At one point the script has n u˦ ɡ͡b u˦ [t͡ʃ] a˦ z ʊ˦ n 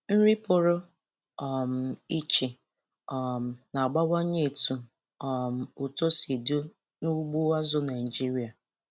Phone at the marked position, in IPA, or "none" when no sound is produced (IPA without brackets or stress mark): none